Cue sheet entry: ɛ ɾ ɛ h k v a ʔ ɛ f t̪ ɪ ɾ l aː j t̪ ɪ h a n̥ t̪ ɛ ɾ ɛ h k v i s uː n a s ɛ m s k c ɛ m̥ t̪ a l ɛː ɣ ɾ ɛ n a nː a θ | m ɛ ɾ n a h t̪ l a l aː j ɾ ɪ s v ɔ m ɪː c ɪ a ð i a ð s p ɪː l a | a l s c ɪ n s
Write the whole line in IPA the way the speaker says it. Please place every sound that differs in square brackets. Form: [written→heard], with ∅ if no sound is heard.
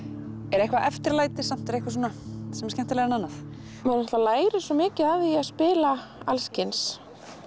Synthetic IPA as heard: ɛ ɾ ɛ h k v a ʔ ɛ f t̪ ɪ ɾ l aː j t̪ ɪ [h→s] a [n̥→m̥] t̪ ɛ ɾ ɛ h k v [i→a] s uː n a s ɛ m s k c ɛ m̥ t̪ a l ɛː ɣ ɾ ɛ n a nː a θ | m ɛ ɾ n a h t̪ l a l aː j ɾ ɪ s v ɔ m ɪː c ɪ a ð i a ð s p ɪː l a | a l s c ɪ n s